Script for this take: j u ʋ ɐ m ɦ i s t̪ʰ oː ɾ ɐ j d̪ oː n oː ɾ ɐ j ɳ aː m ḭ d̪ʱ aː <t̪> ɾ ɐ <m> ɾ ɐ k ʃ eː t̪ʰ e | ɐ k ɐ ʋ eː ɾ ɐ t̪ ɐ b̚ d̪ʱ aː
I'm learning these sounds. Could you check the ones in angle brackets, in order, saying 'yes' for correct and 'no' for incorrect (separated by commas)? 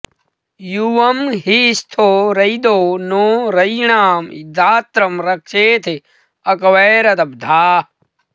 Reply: yes, yes